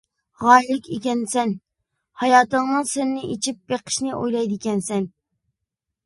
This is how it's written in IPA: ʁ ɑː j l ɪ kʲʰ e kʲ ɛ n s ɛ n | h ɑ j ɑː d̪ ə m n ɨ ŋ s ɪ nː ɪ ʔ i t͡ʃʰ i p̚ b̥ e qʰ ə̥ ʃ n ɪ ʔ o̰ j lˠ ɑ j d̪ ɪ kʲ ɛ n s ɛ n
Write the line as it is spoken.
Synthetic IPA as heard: ʁ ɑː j l ɪ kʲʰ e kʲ ɛ n s ɛ n | h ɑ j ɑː t̪ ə ŋ n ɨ ŋ s ɪ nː ɪ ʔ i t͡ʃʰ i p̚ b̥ e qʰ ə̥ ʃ n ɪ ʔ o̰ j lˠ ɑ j d̪ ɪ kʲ ɛ n s ɛ n